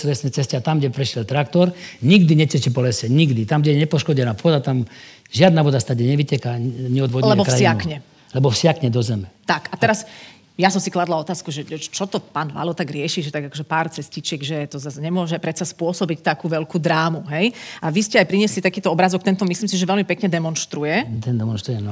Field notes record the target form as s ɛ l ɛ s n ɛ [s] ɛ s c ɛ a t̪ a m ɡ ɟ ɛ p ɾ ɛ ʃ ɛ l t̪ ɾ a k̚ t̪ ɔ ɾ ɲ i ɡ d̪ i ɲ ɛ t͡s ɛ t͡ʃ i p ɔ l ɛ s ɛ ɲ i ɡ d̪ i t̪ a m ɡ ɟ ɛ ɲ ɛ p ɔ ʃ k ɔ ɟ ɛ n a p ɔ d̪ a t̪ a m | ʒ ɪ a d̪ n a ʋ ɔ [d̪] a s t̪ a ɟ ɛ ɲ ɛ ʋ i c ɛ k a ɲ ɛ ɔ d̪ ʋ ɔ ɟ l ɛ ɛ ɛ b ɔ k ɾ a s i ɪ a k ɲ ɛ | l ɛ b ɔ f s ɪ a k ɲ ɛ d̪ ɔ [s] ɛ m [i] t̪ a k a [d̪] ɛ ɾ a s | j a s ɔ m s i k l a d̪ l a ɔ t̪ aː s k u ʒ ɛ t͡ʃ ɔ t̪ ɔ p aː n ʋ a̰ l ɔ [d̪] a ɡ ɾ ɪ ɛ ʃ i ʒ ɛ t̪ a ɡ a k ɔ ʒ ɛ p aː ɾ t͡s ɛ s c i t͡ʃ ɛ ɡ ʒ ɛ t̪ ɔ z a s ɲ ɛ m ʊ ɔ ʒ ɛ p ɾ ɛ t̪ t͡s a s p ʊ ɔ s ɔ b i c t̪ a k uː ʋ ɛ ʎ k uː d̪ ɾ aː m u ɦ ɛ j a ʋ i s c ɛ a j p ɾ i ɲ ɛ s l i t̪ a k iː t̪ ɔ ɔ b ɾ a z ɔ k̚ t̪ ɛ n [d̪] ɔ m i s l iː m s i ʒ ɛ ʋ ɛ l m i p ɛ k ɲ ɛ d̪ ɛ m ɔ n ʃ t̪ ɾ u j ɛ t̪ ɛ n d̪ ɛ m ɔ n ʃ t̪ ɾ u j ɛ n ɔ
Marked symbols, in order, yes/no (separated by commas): no, yes, no, no, no, no, no